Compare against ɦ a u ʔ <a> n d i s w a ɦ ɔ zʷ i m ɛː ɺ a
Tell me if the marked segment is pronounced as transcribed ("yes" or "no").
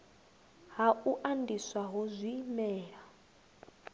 yes